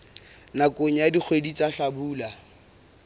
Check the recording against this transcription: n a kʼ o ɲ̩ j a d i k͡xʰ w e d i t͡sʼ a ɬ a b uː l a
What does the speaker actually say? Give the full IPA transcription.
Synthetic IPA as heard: n a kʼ o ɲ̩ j a d i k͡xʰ w e d i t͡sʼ a ɬ a b uː l a

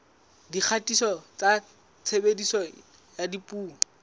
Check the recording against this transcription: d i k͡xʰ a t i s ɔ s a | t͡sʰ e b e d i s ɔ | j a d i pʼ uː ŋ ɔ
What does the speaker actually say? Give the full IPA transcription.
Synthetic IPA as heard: d i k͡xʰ a t i s ɔ t͡s a | t͡sʰ e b e d i s ɔ | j a d i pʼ uː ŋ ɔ

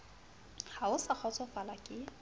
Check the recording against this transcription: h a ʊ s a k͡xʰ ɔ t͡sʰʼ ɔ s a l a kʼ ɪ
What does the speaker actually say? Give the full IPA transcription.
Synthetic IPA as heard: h a ʊ s a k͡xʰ ɔ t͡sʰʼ ɔ f a l a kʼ ɪ

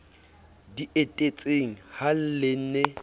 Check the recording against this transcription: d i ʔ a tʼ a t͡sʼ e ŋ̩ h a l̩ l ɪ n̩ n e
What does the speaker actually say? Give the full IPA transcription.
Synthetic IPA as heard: d i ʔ e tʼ e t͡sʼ e ŋ̩ h a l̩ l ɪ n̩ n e

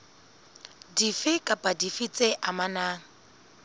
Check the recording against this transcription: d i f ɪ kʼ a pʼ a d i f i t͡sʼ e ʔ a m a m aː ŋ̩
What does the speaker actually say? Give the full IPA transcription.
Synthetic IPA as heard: d i f ɪ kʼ a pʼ a d i f i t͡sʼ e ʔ a m a n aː ŋ̩

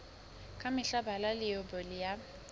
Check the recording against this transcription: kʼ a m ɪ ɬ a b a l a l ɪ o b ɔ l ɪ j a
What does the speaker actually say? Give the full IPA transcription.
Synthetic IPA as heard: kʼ a m ɪ ɬ a b a l a l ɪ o b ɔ l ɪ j a

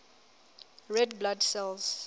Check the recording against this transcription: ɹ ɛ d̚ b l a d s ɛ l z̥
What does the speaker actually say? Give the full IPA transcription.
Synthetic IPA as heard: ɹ ɛ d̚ b l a d s ɛ l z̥

